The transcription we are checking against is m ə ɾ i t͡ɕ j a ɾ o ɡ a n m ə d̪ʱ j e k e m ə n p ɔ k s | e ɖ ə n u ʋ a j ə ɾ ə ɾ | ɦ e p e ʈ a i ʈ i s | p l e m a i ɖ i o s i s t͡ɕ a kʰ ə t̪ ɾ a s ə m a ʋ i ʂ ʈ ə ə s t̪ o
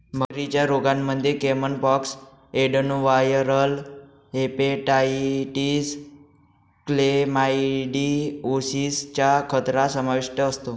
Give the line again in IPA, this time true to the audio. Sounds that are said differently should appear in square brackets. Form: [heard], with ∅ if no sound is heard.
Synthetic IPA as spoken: m ə ɾ i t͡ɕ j a ɾ o ɡ a n m ə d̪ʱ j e k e m ə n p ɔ k s | e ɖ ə n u ʋ a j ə ɾ ə [l] | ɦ e p e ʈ a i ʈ i s | [k] l e m a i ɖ i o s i s t͡ɕ a kʰ ə t̪ ɾ a s ə m a ʋ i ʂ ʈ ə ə s t̪ o